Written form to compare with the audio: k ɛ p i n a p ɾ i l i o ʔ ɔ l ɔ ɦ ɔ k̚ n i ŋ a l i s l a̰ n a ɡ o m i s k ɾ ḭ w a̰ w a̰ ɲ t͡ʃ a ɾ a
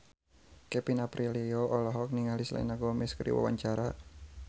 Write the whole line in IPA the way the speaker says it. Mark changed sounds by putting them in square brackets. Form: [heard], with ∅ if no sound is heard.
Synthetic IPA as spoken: k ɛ p i n a p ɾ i l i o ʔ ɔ l ɔ ɦ ɔ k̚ n i ŋ a l i s l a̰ n a ɡ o m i s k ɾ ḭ w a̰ w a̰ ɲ t͡ʃ a ɾ a